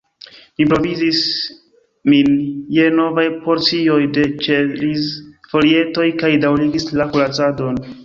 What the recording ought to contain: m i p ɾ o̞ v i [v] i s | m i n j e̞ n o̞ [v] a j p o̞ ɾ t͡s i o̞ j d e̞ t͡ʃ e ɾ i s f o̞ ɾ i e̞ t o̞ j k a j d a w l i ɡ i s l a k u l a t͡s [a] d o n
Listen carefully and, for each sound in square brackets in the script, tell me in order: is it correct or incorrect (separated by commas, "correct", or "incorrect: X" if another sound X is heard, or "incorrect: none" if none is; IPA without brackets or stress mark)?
incorrect: z, correct, correct